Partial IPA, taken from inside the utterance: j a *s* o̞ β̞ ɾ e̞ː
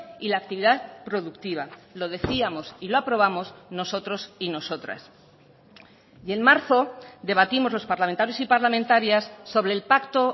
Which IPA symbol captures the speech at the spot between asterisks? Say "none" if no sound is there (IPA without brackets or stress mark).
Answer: sː